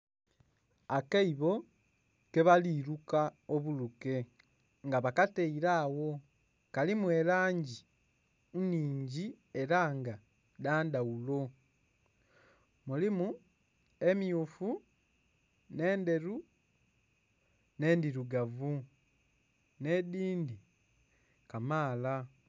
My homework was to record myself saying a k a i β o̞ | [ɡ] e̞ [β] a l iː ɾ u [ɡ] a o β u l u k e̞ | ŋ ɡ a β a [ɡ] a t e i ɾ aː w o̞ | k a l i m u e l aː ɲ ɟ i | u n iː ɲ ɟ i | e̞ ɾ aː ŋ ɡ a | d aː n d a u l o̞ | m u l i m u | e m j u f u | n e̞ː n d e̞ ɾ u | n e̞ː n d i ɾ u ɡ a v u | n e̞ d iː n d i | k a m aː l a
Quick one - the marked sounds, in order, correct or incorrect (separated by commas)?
incorrect, correct, incorrect, incorrect